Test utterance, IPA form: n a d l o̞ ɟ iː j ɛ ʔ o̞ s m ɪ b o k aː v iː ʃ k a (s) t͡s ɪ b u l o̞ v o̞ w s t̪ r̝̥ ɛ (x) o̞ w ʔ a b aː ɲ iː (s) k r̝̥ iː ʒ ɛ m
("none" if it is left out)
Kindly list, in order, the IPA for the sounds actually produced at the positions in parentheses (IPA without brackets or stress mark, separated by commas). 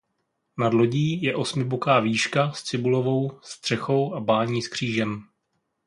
s, x, s